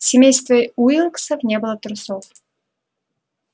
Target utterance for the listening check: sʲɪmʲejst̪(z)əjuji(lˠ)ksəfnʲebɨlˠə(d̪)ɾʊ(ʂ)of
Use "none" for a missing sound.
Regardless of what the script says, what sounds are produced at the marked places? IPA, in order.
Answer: v, lˠ, t̪, s

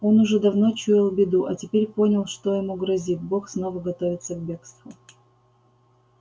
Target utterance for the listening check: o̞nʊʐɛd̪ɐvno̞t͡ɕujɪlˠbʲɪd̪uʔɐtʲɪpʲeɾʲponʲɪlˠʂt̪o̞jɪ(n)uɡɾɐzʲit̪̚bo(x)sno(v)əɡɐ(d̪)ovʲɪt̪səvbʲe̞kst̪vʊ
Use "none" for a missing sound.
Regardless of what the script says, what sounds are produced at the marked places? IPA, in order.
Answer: m, x, v, t̪

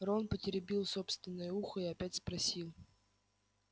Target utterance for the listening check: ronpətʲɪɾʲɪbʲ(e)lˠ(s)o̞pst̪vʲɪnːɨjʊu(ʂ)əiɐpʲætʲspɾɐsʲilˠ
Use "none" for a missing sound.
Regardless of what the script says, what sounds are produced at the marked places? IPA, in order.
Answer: i, s, x

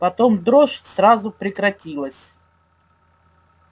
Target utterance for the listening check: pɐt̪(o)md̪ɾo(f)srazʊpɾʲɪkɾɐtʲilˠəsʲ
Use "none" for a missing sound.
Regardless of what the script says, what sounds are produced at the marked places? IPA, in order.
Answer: o, ʂ

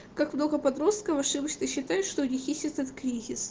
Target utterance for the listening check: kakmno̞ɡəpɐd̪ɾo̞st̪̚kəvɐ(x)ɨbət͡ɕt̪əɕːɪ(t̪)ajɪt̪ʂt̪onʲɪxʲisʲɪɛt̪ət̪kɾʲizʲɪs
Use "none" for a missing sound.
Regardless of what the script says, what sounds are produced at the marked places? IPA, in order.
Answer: ʂ, t̪

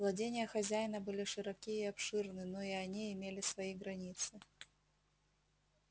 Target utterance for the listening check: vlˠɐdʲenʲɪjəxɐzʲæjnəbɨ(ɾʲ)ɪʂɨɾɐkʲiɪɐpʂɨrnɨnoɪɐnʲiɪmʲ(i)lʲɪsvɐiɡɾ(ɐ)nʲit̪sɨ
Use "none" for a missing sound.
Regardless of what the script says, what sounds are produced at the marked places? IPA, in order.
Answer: lʲ, e, ɐ

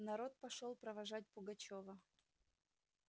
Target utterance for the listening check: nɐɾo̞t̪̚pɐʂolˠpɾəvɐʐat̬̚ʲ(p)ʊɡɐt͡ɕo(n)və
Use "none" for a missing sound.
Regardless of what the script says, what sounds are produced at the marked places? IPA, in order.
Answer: p, none

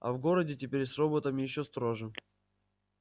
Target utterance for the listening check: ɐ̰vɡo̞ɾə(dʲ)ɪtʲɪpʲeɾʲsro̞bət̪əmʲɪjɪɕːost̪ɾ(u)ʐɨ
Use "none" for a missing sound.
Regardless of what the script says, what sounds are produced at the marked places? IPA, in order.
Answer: dʲ, o

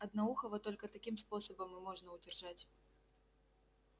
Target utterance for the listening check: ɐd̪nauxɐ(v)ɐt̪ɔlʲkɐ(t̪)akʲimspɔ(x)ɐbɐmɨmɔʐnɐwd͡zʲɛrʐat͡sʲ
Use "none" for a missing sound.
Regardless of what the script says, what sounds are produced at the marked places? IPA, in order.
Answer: v, t̪, s

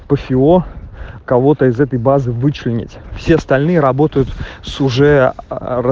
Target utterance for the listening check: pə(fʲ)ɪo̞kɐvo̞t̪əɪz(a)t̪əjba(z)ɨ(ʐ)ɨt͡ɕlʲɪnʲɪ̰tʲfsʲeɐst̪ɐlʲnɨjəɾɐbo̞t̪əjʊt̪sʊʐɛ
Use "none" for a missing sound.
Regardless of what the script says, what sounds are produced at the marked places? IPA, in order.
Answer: fʲ, ɛ, z, v

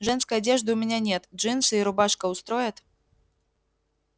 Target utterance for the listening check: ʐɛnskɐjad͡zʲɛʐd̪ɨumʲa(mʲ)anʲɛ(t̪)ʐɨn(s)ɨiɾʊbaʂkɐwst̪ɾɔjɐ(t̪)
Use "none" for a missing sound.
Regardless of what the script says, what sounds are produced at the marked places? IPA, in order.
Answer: nʲ, t̪, s, t̪

